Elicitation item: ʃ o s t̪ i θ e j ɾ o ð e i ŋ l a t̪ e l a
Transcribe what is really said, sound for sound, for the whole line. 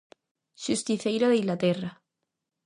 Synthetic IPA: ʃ u s t̪ i θ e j ɾ o ð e i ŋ l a t̪ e r a